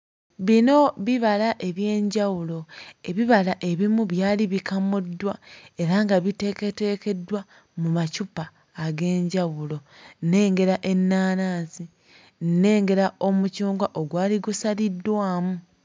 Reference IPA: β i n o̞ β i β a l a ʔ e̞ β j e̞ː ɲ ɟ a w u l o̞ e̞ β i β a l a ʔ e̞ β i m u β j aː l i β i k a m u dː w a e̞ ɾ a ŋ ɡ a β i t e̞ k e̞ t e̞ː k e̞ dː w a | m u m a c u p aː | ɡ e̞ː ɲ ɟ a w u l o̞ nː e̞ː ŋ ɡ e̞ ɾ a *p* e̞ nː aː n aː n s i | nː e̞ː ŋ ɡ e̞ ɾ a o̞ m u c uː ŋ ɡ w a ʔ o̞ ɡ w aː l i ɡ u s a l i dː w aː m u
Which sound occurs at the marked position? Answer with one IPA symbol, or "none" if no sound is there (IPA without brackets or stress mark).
ʔ